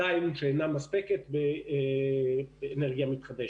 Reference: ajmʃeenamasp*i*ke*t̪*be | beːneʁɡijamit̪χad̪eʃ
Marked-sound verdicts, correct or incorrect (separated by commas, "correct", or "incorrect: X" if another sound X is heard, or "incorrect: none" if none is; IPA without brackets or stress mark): incorrect: e, correct